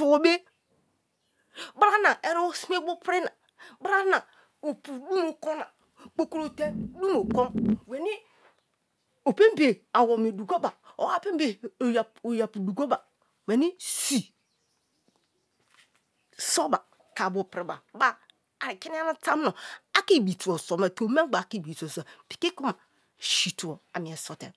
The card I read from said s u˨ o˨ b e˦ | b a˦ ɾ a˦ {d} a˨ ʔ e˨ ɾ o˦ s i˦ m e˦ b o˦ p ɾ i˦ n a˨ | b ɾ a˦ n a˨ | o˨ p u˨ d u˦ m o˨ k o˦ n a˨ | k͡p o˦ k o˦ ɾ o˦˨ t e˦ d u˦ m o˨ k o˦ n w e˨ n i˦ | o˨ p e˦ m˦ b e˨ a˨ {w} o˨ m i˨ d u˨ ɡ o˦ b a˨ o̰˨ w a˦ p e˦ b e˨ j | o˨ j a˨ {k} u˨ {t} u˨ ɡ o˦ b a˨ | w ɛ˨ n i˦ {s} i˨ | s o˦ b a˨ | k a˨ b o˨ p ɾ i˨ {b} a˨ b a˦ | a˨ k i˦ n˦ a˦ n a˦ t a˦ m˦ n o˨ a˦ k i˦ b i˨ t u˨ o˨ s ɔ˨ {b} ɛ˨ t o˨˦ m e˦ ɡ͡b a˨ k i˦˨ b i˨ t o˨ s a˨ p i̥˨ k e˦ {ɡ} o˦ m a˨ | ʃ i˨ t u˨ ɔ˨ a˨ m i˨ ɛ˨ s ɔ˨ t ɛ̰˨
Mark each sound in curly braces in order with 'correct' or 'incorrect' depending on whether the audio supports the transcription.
incorrect: n, correct, incorrect: p, incorrect: d, correct, correct, incorrect: m, incorrect: k

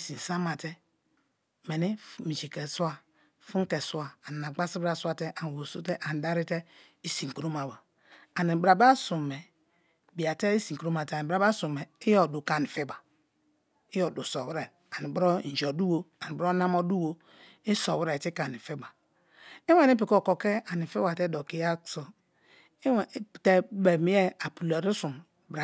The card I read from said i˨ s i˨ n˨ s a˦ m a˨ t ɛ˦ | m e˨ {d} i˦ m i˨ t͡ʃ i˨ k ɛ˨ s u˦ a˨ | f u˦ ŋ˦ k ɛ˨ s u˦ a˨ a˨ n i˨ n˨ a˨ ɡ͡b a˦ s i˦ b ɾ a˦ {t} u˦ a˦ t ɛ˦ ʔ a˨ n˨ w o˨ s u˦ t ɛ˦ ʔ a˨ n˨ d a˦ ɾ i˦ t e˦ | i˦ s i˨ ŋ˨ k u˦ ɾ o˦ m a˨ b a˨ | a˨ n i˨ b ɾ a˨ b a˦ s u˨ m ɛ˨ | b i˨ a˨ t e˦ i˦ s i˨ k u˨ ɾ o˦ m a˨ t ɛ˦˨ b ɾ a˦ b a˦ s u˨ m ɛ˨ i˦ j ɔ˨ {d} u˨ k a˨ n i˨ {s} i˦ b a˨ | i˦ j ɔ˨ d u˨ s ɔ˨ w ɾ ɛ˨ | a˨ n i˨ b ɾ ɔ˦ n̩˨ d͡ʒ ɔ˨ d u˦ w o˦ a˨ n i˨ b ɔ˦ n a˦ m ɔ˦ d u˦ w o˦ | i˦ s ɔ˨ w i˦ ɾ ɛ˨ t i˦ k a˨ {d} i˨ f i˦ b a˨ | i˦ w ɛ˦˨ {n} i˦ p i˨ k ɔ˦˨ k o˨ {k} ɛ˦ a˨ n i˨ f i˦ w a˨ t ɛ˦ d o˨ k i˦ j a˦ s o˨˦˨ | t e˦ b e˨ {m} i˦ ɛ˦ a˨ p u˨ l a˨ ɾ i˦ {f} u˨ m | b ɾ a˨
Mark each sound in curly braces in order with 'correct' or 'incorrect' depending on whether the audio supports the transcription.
incorrect: n, incorrect: s, correct, incorrect: f, incorrect: n, correct, correct, correct, incorrect: s

